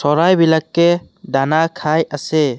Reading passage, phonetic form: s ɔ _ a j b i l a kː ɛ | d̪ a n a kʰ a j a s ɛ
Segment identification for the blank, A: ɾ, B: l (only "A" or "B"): A